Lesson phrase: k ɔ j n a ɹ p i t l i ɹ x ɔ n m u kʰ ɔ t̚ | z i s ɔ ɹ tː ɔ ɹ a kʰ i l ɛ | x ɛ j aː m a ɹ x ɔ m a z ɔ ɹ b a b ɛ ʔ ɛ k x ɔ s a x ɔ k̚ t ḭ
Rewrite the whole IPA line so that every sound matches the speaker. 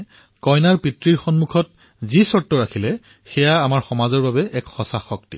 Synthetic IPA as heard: k ɔ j n a ɹ p i t ɹ i ɹ x ɔ n m u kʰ ɔ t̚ | z i s ɔ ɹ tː ɔ ɹ a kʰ i l ɛ | x ɛ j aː m a ɹ x ɔ m a z ɔ ɹ b a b ɛ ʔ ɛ k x ɔ s a x ɔ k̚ t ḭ